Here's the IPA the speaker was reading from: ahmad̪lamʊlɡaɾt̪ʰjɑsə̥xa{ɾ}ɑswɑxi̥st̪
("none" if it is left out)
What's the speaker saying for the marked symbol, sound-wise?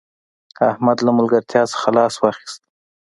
l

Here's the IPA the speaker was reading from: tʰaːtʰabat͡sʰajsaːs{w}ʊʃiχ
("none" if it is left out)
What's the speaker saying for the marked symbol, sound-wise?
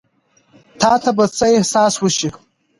w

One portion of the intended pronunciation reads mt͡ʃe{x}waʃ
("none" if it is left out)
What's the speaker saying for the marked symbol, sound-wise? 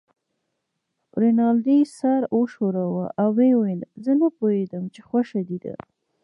x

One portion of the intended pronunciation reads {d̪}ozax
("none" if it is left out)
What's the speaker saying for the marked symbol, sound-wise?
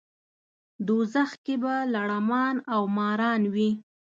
d̪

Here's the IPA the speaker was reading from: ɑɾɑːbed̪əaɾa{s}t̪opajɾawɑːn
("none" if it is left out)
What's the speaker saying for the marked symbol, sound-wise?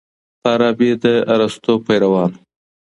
s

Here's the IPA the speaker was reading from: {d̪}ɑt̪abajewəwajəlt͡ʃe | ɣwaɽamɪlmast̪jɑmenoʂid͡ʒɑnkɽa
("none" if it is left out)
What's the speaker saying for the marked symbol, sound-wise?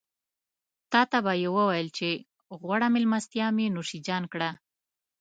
t̪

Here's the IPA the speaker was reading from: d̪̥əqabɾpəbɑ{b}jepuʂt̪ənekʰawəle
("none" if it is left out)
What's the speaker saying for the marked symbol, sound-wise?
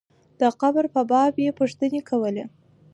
b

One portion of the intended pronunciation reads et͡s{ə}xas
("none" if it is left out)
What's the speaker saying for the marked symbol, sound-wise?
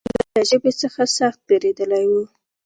ə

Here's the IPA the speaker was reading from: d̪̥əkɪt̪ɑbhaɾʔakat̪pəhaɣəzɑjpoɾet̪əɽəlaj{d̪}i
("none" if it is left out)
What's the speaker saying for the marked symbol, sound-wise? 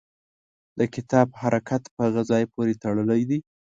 d̪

